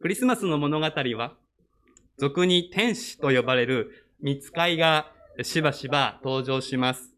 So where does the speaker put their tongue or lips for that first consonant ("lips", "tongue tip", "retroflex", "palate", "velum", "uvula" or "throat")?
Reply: velum